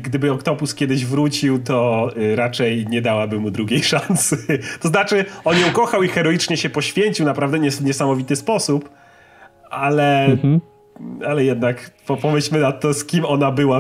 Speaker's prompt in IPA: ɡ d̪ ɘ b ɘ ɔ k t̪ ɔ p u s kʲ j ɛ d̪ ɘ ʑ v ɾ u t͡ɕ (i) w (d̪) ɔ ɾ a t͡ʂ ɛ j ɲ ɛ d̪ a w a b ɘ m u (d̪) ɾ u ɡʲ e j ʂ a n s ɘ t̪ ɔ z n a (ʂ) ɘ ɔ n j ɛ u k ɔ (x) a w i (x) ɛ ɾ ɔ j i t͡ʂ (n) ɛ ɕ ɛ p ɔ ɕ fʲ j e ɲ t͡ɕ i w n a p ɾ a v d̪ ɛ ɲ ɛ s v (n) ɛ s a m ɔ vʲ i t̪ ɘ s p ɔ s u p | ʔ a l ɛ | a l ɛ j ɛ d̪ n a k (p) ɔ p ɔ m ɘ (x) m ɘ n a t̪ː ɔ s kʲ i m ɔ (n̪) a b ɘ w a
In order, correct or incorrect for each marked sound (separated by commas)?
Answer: correct, incorrect, correct, incorrect, correct, correct, incorrect, incorrect, correct, incorrect, correct